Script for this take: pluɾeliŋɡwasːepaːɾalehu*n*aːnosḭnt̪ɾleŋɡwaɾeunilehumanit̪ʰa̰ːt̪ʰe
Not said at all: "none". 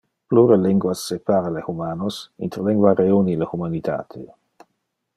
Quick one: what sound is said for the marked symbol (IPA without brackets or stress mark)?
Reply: m